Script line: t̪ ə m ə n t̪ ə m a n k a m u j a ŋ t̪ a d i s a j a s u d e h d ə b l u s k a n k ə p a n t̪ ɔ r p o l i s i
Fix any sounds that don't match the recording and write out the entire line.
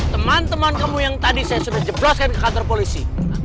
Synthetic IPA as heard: t̪ ə m a n t̪ ə m a n k a m u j a ŋ t̪ a d i s a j a s u d a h d͡ʒ ə b l ɔ s k a n k ə k a n t̪ ɔ r p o l i s i